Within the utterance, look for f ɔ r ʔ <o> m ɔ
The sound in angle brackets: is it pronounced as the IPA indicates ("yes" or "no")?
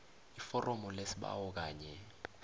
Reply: no